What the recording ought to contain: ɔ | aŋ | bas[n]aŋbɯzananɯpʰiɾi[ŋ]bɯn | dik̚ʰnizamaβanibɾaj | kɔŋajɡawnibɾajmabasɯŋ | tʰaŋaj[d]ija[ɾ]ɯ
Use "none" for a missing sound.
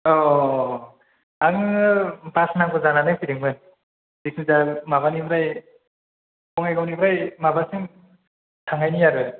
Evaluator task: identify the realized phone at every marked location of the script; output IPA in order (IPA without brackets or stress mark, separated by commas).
n, ŋ, n, ɾ